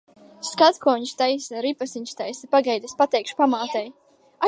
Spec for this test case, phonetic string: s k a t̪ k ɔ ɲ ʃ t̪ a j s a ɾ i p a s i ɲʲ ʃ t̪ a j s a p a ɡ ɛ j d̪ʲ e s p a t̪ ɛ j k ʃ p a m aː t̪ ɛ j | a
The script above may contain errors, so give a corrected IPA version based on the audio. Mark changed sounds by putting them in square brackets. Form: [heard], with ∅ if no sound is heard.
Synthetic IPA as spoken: s k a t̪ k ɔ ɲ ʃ t̪ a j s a ɾ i p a s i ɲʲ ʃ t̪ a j s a p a ɡ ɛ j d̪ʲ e s p a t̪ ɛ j k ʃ p a m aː t̪ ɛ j | a